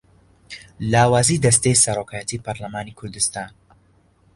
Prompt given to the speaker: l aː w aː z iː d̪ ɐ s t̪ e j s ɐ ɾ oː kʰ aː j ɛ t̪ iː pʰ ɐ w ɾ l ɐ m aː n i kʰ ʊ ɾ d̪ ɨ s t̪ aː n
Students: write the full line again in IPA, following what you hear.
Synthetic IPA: l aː w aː z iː d̪ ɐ s t̪ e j s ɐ ɾ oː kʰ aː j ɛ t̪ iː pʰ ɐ ɾ l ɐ m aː n i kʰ ʊ ɾ d̪ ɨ s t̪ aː n